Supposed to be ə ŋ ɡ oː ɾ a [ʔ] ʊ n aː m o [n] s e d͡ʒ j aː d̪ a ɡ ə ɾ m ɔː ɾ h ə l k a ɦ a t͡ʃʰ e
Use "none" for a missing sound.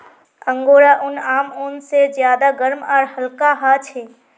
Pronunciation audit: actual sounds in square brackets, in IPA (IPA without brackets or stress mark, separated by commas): ʔ, n